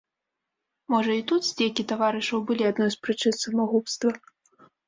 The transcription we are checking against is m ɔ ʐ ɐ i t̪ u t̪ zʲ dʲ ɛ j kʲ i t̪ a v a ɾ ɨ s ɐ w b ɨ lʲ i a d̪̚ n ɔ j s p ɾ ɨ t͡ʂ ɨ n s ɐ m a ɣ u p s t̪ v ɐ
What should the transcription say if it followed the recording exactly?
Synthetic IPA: m ɔ ʐ ɐ i t̪ u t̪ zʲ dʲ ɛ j kʲ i t̪ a v a ɾ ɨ ʂ ɐ w b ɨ lʲ i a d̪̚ n ɔ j s p ɾ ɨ t͡ʂ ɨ n s ɐ m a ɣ u p s t̪ v ɐ